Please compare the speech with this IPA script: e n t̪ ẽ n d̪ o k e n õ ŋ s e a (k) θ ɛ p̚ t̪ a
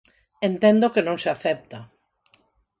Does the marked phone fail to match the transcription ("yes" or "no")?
yes